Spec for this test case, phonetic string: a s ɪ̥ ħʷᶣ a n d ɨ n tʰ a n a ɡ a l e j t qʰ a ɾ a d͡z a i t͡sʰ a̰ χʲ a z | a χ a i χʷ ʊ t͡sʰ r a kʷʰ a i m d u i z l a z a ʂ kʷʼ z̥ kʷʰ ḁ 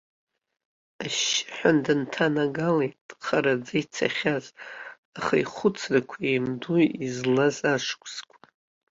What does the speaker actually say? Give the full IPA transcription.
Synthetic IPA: a ʃ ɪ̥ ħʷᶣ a n d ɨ n tʰ a n a ɡ a l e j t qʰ a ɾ a d͡z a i t͡sʰ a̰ χʲ a z | a χ a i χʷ ʊ t͡sʰ r a kʷʰ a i m d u i z l a z a ʂ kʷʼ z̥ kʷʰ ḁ

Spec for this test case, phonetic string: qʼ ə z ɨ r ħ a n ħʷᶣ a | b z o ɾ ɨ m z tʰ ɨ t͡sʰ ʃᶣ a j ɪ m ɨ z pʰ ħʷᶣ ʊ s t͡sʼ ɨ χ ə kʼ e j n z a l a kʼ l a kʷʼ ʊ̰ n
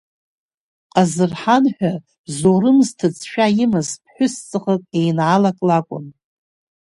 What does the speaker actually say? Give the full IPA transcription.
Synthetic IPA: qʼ a z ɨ r ħ a n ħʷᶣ a | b z o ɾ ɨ m z tʰ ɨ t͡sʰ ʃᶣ a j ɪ m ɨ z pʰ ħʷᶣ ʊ s t͡sʼ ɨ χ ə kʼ e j n ʕ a l a kʼ l a kʷʼ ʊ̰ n

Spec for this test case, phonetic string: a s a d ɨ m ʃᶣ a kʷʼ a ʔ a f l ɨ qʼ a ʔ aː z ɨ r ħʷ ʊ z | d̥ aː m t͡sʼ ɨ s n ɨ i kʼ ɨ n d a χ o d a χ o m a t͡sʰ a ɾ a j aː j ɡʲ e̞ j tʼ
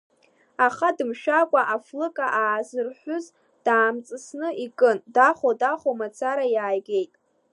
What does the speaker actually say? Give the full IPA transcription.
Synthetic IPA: a χ a d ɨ m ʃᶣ a kʷʼ a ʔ a f l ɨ kʼ a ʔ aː z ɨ r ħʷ ʊ z | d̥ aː m t͡sʼ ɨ s n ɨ i kʼ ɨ n d a χ o d a χ o m a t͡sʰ a ɾ a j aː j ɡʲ e̞ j tʼ

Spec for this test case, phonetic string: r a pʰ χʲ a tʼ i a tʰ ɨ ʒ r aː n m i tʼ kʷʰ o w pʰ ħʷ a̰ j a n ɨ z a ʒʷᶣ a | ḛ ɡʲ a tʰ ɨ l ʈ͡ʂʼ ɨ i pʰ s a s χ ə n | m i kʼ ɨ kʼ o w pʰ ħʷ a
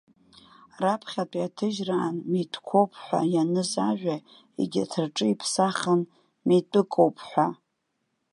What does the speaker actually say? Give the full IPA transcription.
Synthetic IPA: r a pʰ χʲ a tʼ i a tʰ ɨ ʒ r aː n m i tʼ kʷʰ o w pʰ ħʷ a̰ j a n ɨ z a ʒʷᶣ a | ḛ ɡʲ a tʰ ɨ r ʈ͡ʂʼ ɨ i pʰ s a χ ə n | m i tʼ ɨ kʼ o w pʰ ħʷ a

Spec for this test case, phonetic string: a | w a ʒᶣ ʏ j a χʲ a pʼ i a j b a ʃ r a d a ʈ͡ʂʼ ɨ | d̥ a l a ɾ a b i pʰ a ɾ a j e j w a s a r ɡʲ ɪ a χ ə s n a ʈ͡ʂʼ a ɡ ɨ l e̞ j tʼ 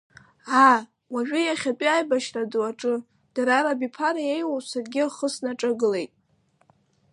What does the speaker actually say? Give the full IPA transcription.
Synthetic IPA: a | w a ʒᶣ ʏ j a χʲ a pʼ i a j b a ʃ r a d a ʈ͡ʂʼ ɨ | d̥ a ɾ a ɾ a b i pʰ a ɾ a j e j w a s a r ɡʲ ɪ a χ ə s n a ʈ͡ʂʼ a ɡ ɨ l e̞ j tʼ

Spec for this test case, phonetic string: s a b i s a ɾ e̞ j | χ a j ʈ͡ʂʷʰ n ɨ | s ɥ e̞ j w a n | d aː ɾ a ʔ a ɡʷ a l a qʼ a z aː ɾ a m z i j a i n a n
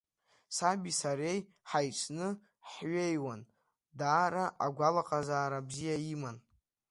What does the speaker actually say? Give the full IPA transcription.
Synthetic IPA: s a b i s a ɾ e̞ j | ħ a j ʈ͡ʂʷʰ n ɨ | ħ ɥ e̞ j w a n | d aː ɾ a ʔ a ɡʷ a l a qʼ a z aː ɾ a b z i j a i m a n

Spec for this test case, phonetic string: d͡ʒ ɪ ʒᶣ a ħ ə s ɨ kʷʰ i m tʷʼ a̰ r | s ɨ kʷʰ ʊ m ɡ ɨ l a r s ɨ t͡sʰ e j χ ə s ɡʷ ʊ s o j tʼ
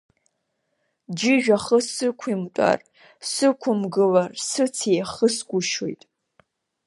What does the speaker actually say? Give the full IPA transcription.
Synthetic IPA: d͡ʒ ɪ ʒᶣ a χ ə s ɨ kʷʰ i m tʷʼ a̰ r | s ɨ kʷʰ ʊ m ɡ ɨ l a r s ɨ t͡sʰ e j χ ə s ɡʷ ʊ ʃ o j tʼ

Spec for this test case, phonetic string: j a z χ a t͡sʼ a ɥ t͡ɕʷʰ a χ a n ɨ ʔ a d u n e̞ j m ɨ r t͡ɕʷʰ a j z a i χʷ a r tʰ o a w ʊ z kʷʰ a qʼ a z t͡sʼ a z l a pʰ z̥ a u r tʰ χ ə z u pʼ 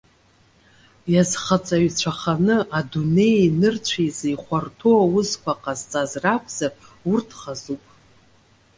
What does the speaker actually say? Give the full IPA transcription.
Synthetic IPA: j a z χ a t͡sʼ a ɥ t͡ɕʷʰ a χ a n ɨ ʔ a d u n e̞ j n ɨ r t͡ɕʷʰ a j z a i χʷ a r tʰ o a w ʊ z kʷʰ a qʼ a z t͡sʼ a z r a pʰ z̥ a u r tʰ χ a z u pʼ

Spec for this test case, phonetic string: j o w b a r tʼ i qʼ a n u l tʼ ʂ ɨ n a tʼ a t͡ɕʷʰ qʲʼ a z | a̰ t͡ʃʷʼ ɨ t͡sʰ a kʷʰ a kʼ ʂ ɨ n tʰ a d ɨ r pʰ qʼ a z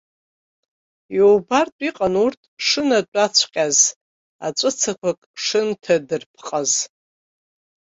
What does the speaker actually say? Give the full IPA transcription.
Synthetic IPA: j o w b a r tʼ i qʼ a n u r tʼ ʂ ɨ n a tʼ a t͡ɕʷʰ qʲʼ a z | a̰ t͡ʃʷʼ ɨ t͡sʰ a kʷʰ a kʼ ʂ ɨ n tʰ a d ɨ r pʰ qʼ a z

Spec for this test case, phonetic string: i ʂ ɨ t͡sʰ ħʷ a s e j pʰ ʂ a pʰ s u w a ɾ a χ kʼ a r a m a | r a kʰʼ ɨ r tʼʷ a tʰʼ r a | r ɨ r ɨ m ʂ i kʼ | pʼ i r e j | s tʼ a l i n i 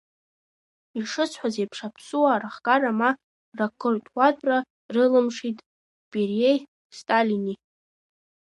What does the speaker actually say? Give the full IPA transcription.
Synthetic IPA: i ʂ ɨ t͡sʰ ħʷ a z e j pʰ ʂ a pʰ s u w a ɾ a χ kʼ a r a m a | r a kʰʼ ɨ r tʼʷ a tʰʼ r a | r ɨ l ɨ m ʂ i tʼ | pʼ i r e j | s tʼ a l i n i

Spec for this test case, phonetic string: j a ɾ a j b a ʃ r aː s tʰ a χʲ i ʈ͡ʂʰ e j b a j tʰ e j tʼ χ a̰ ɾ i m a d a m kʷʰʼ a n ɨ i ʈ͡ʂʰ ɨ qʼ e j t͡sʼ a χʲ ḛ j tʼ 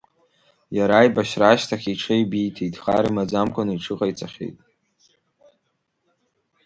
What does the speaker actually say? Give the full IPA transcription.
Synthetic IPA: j a ɾ a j b a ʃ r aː ʃ tʰ a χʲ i ʈ͡ʂʰ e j b i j tʰ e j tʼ χ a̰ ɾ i m a d͡z a m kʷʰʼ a n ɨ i ʈ͡ʂʰ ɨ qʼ a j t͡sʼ a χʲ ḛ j tʼ

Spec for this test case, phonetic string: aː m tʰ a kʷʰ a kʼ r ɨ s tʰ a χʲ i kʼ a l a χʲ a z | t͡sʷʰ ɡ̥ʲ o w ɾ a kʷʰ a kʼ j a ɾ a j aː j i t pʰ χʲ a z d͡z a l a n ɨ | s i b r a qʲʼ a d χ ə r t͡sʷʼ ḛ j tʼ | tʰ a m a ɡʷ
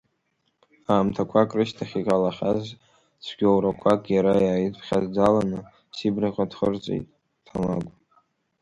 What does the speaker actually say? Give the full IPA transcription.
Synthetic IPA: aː m tʰ a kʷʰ a kʼ r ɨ ʃ tʰ a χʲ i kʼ a l a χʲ a z | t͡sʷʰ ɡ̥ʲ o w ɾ a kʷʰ a kʼ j a ɾ a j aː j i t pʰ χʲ a z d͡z a l a n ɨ | s i b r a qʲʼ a d χ ə r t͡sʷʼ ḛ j tʼ | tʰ a m a ɡʷ

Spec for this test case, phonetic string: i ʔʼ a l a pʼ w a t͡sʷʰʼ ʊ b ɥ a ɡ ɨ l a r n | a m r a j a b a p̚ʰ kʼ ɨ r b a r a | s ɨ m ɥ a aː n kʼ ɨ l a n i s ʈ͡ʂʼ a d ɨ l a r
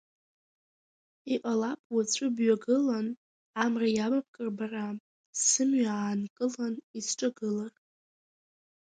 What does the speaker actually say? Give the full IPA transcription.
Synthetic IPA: i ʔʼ a l a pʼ w a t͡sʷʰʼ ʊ b ɥ a ɡ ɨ l a n | a m r a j a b a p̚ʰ kʼ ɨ r b a r a | s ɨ m ɥ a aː n kʼ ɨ l a n i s ʈ͡ʂʼ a ɡ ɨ l a r

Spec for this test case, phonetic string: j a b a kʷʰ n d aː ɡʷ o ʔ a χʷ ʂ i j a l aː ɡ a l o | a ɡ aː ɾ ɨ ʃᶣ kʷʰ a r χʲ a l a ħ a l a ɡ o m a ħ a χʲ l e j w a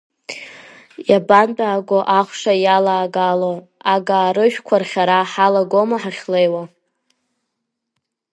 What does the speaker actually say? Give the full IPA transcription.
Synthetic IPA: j a b a n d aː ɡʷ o ʔ a χʷ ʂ a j a l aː ɡ a l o | a ɡ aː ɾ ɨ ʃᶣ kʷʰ a r χʲ a ɾ a ħ a l a ɡ o m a ħ a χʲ l e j w a

